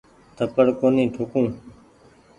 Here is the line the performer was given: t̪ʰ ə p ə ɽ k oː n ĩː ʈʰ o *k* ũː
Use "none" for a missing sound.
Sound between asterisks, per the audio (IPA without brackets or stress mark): k